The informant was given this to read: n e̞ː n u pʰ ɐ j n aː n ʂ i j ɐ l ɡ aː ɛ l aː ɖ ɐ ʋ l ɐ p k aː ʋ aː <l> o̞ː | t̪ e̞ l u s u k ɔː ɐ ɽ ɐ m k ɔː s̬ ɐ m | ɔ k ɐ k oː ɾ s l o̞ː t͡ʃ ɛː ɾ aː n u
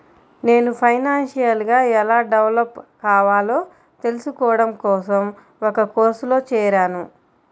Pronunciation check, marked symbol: correct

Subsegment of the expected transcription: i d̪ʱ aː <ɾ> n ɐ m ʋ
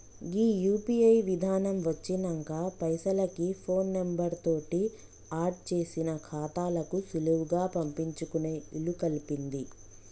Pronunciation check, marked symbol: incorrect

